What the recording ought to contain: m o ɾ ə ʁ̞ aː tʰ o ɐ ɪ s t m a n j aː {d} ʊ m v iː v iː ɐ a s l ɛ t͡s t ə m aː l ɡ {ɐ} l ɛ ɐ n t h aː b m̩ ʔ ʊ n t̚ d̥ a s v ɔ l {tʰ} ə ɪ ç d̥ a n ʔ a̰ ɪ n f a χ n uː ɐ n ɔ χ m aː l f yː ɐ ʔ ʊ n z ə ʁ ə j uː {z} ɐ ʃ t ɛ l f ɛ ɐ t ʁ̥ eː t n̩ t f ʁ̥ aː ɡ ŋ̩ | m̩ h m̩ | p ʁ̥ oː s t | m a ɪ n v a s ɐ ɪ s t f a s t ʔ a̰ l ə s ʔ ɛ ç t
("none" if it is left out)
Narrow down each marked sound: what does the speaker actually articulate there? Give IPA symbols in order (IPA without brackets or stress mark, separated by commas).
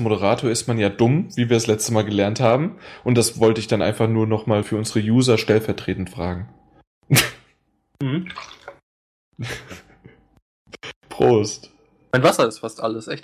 d, ə, t, z